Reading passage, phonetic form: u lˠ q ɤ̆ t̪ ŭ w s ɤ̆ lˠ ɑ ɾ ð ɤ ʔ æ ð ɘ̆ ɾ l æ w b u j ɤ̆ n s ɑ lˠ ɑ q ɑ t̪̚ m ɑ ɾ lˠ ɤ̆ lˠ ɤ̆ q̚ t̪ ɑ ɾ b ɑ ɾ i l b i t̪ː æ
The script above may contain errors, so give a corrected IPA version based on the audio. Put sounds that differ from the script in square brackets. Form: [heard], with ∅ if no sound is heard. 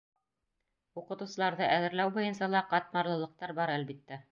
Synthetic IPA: u [∅] q ɤ̆ t̪ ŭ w s ɤ̆ lˠ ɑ ɾ ð ɤ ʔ æ ð ɘ̆ ɾ l æ w b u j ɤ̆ n s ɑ lˠ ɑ q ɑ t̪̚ m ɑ ɾ lˠ ɤ̆ lˠ ɤ̆ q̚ t̪ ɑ ɾ b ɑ ɾ [æ] l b i t̪ː æ